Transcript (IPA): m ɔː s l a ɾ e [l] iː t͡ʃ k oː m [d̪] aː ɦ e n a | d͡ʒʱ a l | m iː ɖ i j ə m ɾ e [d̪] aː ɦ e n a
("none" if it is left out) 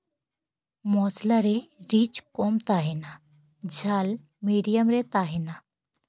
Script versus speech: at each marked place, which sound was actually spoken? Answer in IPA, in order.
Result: ɾ, t̪, t̪

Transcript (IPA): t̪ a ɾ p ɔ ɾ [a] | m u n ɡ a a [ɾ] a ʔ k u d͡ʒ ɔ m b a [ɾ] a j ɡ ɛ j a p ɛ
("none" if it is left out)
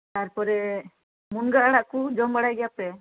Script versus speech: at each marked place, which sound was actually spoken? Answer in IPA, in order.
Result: ɛ, ɽ, ɽ

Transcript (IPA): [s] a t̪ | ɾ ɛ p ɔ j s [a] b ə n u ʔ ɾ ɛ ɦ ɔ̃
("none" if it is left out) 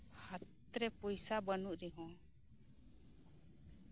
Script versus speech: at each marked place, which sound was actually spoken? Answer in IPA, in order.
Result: h, a

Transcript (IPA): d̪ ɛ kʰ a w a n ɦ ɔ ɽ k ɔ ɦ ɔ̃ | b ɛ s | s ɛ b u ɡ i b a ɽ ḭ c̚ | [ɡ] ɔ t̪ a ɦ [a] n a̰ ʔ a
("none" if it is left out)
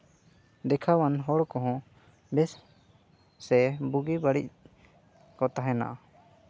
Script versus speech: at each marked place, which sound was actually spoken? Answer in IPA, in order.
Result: k, ɛ

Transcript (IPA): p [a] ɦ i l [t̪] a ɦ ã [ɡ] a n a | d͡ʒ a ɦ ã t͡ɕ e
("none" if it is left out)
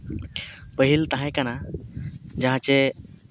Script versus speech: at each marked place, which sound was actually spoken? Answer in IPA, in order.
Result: ə, t̪, k

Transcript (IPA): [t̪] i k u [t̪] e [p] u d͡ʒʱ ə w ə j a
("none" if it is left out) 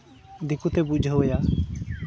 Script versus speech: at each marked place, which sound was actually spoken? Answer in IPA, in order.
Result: d̪, t̪, b

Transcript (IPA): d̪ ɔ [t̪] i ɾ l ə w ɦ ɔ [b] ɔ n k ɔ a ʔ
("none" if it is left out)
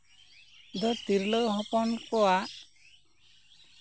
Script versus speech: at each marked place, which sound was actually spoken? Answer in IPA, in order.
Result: t̪, p

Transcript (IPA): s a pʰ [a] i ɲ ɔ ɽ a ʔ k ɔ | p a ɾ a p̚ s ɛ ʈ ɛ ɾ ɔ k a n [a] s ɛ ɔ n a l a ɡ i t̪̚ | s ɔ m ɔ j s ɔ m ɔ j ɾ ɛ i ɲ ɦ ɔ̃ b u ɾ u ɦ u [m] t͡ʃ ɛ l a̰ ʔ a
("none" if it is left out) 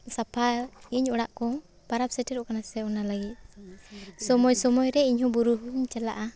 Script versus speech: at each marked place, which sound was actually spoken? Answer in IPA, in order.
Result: a, a, ɲ

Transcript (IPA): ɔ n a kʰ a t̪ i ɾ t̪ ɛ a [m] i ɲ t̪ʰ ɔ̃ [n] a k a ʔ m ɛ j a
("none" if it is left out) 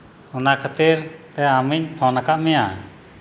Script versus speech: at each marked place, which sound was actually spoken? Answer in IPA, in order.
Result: m, n

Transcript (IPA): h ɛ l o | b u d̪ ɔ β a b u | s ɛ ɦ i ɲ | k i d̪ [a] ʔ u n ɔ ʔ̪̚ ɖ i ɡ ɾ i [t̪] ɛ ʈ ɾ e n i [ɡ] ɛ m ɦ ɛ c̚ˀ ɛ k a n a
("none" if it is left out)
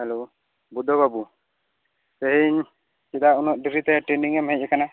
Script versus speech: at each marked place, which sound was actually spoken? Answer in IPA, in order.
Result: a, t̪, ŋ

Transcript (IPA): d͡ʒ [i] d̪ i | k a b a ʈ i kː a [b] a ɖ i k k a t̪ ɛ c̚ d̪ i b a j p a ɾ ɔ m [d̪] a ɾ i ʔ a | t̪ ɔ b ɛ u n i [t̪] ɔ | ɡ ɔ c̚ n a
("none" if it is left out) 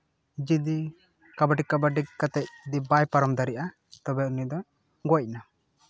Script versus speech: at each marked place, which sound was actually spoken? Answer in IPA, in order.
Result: i, b, d̪, d̪

